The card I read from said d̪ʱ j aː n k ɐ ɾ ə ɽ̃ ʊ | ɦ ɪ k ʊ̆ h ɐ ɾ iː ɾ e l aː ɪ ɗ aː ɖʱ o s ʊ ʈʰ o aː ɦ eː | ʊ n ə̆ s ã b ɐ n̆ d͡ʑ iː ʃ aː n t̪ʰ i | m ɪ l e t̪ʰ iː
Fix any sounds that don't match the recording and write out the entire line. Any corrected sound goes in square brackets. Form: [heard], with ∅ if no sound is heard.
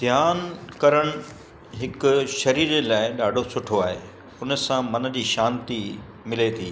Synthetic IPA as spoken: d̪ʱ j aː n k ɐ ɾ ə ɽ̃ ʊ | ɦ ɪ k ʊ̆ [ʃ] ɐ ɾ iː ɾ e l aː ɪ ɗ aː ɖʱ o s ʊ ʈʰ o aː ɦ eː | ʊ n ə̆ s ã [m] ɐ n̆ d͡ʑ iː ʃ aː n [t̪] i | m ɪ l e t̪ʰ iː